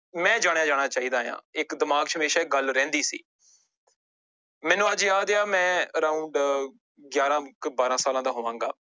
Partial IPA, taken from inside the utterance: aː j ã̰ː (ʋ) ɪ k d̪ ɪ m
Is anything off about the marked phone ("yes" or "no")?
yes